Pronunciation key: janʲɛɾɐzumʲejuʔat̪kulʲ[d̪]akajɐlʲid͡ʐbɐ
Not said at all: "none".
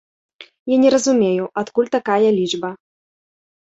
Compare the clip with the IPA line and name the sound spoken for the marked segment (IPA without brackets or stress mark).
t̪